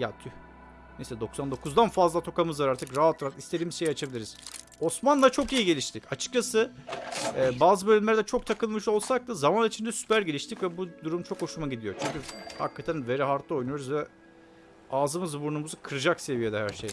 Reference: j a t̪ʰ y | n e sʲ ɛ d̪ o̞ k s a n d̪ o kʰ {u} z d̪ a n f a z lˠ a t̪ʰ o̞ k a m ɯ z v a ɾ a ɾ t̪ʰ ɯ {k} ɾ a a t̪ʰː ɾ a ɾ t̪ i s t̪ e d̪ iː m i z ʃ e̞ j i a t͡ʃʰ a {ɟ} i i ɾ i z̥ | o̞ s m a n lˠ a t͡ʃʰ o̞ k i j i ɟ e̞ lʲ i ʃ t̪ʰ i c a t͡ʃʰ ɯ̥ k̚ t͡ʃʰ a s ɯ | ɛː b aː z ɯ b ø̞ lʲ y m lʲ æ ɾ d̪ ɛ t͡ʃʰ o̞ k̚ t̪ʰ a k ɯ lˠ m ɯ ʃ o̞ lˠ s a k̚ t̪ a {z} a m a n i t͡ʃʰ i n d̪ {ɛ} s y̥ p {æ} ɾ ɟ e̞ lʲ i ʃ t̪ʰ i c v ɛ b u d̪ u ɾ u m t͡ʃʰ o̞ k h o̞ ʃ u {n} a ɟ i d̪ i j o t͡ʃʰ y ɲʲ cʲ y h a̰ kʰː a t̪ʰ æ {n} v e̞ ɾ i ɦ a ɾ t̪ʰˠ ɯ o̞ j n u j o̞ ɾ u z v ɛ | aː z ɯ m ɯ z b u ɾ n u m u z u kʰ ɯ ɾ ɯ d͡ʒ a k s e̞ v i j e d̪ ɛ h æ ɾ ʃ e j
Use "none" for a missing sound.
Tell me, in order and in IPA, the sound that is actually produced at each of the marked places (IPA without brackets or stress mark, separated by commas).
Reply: u, k, b, z, ɛ, æ, m, n